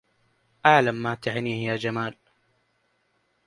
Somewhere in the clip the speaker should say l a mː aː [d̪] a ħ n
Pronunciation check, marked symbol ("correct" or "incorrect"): incorrect